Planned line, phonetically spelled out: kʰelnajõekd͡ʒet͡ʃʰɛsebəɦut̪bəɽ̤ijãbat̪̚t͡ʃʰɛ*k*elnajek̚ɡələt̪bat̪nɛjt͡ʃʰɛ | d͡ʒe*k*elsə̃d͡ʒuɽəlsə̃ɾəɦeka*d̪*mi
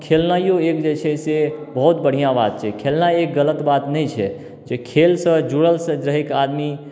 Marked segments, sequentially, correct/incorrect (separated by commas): incorrect, incorrect, correct